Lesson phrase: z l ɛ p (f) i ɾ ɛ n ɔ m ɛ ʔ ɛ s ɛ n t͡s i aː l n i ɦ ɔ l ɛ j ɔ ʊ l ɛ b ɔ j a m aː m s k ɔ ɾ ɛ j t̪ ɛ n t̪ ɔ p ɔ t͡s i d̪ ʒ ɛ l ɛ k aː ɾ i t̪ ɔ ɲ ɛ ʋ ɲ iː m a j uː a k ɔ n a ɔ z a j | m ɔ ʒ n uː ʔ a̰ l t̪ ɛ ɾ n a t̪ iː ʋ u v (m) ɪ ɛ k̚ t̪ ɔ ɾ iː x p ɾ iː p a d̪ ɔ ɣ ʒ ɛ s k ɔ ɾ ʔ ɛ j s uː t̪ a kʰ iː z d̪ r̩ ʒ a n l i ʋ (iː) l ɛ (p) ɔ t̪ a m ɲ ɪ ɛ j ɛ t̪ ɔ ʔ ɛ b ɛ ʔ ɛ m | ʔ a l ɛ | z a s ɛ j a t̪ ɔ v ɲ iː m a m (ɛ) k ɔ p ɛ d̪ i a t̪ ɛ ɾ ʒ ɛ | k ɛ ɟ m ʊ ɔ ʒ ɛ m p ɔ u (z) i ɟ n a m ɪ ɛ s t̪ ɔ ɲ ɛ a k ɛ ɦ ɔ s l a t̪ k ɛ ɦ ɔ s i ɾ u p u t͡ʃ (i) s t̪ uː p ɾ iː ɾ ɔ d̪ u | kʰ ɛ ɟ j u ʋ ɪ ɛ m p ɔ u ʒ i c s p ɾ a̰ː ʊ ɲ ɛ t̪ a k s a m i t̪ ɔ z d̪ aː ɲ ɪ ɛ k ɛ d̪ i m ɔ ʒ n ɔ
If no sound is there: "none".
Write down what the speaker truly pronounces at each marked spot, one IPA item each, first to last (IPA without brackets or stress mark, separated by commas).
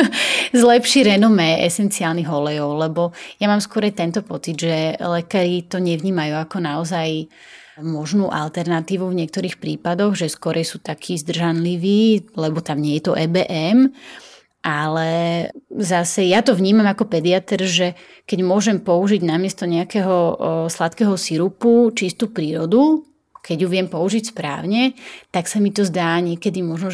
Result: ʃ, ɲ, iː, b, a, ʒ, i